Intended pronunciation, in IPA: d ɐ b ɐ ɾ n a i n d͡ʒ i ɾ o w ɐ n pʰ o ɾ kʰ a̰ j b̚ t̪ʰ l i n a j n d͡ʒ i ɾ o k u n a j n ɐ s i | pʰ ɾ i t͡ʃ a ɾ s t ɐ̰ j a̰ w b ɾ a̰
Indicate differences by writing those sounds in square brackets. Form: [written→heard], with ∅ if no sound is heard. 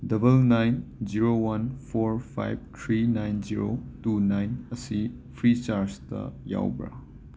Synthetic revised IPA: d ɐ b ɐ [ɾ→l] n a [i→j] n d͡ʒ i ɾ o w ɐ n pʰ o ɾ [kʰ→pʰ] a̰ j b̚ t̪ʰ [l→ɾ] i n a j n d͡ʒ i ɾ o [k→t] u n a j n ɐ s i | pʰ ɾ i t͡ʃ a ɾ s t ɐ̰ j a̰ w b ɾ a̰